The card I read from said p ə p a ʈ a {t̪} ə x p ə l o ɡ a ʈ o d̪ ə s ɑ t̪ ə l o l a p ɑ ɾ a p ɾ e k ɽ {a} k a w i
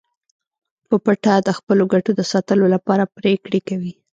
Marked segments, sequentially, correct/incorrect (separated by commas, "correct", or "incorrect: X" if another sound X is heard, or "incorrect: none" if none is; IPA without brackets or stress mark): incorrect: d̪, incorrect: e